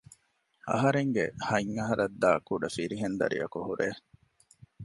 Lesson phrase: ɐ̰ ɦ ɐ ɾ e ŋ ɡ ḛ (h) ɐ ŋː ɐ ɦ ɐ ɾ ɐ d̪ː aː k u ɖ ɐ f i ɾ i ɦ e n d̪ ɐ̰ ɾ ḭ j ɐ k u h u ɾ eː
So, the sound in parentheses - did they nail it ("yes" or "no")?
yes